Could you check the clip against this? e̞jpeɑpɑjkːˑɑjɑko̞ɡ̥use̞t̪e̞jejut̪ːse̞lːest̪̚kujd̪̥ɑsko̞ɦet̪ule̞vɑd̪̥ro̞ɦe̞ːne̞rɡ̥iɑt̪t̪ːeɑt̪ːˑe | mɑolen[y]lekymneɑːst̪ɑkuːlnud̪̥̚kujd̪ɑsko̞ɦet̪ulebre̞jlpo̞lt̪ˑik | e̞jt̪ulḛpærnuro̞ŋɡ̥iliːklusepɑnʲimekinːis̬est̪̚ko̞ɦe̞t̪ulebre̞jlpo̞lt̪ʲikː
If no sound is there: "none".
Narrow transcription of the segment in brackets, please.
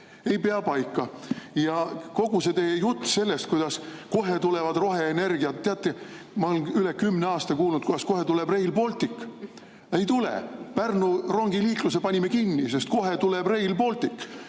y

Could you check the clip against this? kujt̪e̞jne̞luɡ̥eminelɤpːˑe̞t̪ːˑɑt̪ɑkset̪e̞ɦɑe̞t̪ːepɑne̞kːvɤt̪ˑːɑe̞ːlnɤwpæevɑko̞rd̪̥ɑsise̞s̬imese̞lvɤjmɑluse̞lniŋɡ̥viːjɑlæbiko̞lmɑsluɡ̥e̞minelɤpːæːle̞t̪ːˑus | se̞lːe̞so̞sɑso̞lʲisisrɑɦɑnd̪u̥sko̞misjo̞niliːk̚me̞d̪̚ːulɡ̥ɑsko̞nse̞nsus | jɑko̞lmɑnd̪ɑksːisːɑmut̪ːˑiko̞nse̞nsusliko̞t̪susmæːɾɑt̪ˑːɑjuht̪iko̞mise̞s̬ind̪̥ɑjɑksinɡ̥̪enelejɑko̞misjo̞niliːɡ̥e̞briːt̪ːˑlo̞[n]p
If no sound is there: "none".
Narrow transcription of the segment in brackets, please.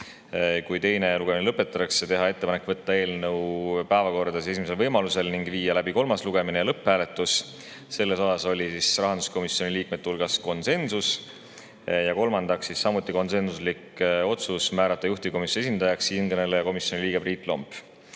m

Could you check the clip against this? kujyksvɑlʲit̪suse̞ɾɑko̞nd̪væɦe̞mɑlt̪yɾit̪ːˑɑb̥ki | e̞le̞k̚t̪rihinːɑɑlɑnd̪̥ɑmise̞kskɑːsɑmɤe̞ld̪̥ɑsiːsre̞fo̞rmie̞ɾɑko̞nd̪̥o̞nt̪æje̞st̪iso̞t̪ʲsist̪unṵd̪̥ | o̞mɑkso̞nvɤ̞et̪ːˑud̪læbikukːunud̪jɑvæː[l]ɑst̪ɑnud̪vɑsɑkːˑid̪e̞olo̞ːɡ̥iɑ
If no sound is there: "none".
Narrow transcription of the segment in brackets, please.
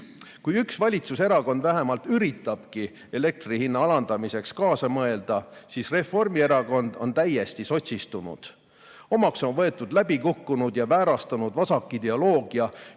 ɾ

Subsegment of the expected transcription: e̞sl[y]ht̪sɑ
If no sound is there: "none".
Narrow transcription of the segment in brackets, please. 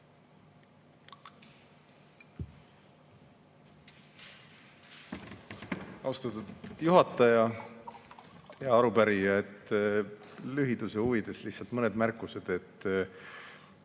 i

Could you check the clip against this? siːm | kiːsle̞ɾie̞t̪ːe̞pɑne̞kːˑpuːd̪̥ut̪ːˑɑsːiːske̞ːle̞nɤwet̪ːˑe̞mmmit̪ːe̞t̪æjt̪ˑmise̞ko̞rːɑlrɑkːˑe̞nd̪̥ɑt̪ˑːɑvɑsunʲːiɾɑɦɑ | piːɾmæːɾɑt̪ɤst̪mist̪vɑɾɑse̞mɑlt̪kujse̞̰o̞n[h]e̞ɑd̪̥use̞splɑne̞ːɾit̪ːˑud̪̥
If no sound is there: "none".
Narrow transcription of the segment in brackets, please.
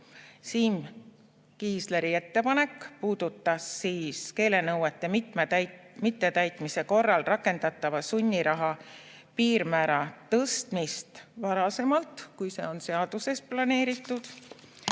s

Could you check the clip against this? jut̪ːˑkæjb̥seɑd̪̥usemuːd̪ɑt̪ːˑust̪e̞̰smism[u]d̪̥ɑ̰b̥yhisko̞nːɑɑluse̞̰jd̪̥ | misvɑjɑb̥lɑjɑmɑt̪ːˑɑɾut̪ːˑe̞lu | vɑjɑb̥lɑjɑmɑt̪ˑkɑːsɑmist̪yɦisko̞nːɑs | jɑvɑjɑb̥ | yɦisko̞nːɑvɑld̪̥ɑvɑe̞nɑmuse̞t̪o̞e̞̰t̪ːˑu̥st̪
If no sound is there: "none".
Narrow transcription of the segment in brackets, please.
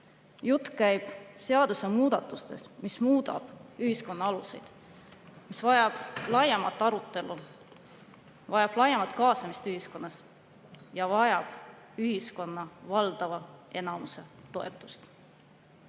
uː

